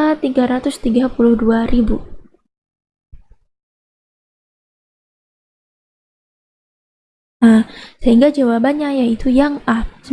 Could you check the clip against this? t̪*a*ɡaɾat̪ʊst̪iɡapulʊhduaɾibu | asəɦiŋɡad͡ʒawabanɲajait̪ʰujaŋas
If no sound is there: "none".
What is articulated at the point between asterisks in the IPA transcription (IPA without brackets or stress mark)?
i